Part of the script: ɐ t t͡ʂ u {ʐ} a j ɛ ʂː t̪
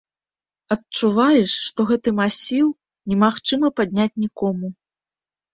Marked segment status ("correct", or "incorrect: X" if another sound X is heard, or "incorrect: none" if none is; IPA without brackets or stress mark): incorrect: v